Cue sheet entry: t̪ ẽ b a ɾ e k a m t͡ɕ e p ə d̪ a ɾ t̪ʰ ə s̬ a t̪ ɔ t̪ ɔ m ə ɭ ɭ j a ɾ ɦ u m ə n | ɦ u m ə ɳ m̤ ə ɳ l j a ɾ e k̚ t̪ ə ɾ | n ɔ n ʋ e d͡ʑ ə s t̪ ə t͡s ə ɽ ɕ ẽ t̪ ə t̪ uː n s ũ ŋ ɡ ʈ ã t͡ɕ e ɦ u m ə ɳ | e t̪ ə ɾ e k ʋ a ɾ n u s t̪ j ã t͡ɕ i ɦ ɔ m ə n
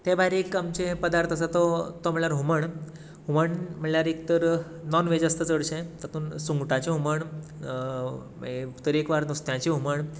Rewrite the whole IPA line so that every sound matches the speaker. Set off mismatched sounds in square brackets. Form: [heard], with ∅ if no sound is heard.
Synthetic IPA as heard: t̪ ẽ b a ɾ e k a m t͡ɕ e p ə d̪ a ɾ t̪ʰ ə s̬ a t̪ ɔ t̪ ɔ m ə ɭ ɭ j a ɾ ɦ u m ə [ɳ] | ɦ u m ə ɳ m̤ ə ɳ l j a ɾ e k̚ t̪ ə ɾ | n ɔ n ʋ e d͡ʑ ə s t̪ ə t͡s ə ɽ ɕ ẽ t̪ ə t̪ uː n s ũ ŋ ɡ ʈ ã t͡ɕ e ɦ u m ə ɳ | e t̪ ə ɾ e k ʋ a ɾ n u s t̪ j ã t͡ɕ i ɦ [u] m ə [ɳ]

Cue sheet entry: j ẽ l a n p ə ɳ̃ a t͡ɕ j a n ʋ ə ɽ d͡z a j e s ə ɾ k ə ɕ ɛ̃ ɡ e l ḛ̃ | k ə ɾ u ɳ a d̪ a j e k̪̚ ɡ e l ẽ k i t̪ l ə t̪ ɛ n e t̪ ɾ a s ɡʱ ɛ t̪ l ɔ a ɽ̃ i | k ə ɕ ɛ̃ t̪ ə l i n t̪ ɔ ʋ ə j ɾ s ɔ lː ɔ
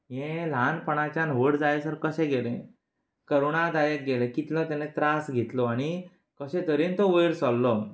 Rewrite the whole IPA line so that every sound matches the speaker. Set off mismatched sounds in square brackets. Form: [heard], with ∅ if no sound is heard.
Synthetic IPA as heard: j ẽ l a n p ə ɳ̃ a t͡ɕ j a n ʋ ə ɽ d͡z a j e s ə ɾ k ə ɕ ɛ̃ ɡ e l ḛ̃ | k ə ɾ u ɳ a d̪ a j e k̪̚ ɡ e l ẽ k i t̪ l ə t̪ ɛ n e t̪ ɾ a s ɡʱ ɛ t̪ l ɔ a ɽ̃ i | k ə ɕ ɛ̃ t̪ ə [ɾ] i n t̪ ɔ ʋ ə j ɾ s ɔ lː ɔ

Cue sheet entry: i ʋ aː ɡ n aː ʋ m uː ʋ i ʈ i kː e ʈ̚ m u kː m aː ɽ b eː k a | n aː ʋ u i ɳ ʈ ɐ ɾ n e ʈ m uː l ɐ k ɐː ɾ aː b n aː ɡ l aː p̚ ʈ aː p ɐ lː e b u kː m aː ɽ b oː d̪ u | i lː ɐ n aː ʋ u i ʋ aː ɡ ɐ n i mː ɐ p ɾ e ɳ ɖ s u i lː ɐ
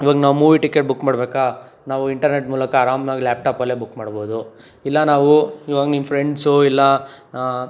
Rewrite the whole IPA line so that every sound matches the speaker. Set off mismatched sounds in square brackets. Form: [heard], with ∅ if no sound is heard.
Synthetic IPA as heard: i ʋ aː ɡ n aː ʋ m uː ʋ i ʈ i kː e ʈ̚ [b] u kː m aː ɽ b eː k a | n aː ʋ u i ɳ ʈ ɐ ɾ n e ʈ m uː l ɐ k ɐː ɾ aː [m] n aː ɡ l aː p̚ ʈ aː p ɐ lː e b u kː m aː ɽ b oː d̪ u | i lː ɐ n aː ʋ u i ʋ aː ɡ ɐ n i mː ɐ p ɾ e ɳ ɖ s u i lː ɐ

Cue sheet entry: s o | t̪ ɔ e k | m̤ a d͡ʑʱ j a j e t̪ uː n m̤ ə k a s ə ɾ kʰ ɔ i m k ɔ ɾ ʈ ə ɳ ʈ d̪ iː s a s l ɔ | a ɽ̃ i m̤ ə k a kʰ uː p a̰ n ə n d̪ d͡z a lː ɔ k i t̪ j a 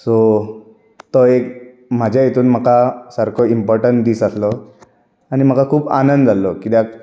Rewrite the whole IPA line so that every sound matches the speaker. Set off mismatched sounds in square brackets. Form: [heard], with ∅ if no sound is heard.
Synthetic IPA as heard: s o | t̪ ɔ e k | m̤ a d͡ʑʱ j a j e t̪ uː n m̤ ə k a s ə ɾ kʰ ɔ i m [p] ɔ ɾ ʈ ə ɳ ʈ d̪ iː s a s l ɔ | a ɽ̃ i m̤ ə k a kʰ uː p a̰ n ə n d̪ d͡z a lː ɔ k i t̪ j a

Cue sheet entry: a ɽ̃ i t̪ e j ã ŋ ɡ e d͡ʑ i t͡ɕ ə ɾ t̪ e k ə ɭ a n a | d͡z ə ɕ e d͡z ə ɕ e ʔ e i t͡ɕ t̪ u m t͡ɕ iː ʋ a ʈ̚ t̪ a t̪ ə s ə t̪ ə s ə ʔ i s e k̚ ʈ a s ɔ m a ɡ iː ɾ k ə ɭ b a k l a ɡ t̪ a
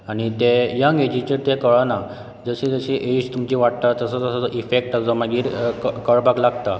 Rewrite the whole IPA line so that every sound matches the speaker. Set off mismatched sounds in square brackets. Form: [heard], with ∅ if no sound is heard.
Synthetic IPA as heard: a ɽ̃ i t̪ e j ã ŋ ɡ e d͡ʑ i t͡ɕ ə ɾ t̪ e k ə ɭ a n a | d͡z ə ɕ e d͡z ə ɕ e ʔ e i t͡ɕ t̪ u m t͡ɕ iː ʋ a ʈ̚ t̪ a t̪ ə s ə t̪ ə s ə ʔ i [f] e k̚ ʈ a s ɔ m a ɡ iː ɾ k ə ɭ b a k l a ɡ t̪ a

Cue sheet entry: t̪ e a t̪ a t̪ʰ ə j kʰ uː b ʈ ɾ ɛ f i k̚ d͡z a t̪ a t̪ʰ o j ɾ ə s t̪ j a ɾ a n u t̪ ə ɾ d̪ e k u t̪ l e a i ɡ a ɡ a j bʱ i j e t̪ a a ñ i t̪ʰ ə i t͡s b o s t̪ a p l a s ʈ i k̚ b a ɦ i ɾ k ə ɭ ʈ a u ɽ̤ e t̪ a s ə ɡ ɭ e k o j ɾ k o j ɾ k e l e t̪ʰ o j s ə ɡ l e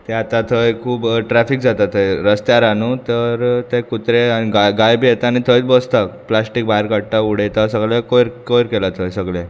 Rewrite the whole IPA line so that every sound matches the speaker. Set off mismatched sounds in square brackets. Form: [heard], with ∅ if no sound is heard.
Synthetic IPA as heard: t̪ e a t̪ a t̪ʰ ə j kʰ uː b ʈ ɾ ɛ f i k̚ d͡z a t̪ a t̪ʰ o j ɾ ə s t̪ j a ɾ a n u t̪ ə ɾ [t̪] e k u t̪ [ɾ] e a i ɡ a ɡ a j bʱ i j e t̪ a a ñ i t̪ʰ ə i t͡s b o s t̪ a p l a s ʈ i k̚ b a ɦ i ɾ k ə [ɽ] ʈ a u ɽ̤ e t̪ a s ə ɡ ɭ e k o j ɾ k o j ɾ k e l [a] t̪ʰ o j s ə ɡ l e

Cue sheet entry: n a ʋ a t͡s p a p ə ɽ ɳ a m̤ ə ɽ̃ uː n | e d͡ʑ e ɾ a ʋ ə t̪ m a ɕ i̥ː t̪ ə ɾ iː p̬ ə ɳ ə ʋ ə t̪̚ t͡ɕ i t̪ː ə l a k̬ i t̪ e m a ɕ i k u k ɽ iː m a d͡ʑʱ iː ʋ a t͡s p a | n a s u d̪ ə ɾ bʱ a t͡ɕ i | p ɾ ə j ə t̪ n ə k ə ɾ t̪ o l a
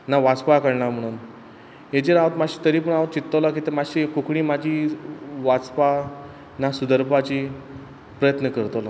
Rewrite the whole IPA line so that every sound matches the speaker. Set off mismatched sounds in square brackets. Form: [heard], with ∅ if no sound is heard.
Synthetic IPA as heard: n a ʋ a t͡s p a [k] ə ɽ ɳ a m̤ ə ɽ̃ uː n | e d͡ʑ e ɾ a ʋ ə t̪ m a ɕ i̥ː t̪ ə ɾ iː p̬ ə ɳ [a] ʋ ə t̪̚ t͡ɕ i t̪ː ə l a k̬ i t̪ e m a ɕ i k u k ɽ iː m a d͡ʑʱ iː ʋ a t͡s p a | n a s u d̪ ə ɾ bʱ a t͡ɕ i | p ɾ ə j ə t̪ n ə k ə ɾ t̪ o l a

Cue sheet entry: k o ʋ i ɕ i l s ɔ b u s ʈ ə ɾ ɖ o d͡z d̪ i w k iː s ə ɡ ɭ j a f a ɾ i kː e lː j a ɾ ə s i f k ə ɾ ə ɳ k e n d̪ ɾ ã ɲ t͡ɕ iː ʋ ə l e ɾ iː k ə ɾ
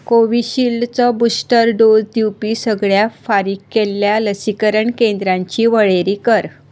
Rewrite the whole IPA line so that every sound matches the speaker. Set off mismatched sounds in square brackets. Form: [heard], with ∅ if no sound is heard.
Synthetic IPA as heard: k o ʋ i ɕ i l [t͡s] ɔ b u s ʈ ə ɾ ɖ o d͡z d̪ i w [p] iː s ə ɡ ɭ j a f a ɾ i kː e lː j a [l] ə s i [∅] k ə ɾ ə ɳ k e n d̪ ɾ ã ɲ t͡ɕ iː ʋ ə [ɭ] e ɾ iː k ə ɾ

